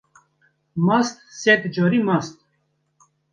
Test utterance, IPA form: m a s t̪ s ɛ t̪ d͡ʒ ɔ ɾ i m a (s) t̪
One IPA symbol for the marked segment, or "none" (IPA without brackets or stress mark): s